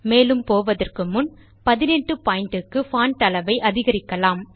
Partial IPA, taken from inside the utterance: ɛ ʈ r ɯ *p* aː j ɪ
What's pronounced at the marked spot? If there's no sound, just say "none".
p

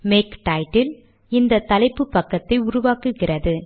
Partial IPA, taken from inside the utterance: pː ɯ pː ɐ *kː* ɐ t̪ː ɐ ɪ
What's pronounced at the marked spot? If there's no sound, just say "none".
kː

